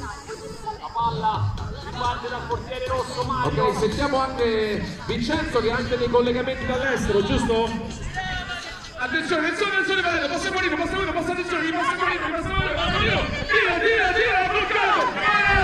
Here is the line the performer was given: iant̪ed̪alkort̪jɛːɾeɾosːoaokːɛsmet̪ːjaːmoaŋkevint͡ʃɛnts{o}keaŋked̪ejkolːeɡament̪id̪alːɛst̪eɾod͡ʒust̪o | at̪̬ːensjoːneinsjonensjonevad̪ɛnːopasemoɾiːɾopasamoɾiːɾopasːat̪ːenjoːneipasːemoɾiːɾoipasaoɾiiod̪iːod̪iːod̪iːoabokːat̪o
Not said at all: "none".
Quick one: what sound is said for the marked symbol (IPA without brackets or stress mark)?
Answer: o